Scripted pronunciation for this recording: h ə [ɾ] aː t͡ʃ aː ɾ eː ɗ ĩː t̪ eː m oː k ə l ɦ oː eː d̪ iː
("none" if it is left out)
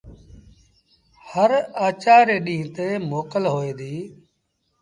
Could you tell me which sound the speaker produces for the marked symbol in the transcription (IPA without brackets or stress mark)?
ɾ